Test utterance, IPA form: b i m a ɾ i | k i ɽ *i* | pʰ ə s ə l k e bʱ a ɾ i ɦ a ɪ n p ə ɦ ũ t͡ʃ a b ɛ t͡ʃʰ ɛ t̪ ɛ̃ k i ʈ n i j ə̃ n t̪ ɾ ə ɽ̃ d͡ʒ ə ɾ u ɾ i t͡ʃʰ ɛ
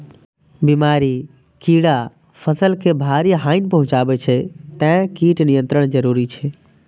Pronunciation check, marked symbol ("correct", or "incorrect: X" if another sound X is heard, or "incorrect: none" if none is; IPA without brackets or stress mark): incorrect: a